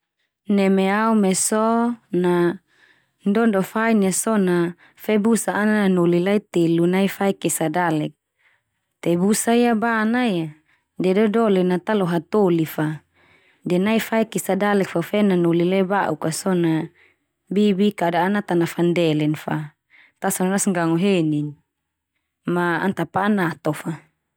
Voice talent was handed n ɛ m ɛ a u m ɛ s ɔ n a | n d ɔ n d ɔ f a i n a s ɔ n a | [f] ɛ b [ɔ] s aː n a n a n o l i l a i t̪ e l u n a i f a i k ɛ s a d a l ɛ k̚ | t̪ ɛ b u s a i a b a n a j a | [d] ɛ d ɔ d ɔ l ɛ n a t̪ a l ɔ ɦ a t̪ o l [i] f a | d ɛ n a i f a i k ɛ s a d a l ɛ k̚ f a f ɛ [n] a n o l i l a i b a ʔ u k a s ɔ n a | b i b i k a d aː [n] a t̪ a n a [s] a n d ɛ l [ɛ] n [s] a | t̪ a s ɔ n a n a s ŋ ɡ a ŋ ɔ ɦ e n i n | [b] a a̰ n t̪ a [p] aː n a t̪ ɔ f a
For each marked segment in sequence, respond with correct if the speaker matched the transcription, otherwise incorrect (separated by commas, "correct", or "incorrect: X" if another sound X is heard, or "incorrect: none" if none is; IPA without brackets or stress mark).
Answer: correct, incorrect: u, correct, correct, correct, correct, incorrect: f, correct, incorrect: f, incorrect: m, correct